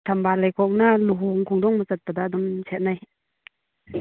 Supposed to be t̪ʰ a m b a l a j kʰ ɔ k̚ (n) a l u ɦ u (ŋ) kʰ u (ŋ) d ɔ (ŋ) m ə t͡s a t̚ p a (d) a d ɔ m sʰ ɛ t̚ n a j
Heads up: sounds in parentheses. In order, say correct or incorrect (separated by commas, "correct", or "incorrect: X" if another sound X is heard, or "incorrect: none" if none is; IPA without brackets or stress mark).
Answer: correct, correct, correct, correct, correct